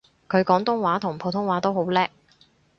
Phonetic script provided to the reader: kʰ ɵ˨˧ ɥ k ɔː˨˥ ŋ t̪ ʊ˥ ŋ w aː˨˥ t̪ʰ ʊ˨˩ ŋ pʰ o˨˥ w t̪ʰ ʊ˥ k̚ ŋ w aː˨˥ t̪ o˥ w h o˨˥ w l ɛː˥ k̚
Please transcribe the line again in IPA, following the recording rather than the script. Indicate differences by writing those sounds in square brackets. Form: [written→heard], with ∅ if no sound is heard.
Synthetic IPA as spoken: kʰ ɵ˨˧ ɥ k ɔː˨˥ ŋ t̪ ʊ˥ ŋ w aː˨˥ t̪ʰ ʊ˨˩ ŋ pʰ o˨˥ w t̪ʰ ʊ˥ [k̚→∅] ŋ w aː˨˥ t̪ o˥ w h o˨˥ w l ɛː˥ k̚